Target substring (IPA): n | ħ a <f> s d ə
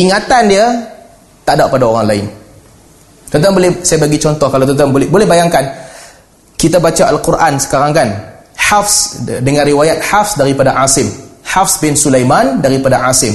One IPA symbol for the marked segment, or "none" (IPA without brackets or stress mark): f